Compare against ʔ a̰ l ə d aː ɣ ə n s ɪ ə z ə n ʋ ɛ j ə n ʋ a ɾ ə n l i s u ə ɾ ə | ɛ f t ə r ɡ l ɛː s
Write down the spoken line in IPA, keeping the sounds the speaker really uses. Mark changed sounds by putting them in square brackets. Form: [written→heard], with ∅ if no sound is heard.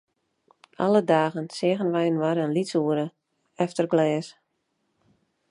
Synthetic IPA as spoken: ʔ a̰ l ə d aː ɣ ə n s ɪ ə [z→ɣ] ə n ʋ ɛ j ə n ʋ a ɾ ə n l i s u ə ɾ ə | ɛ f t ə r ɡ l ɛː s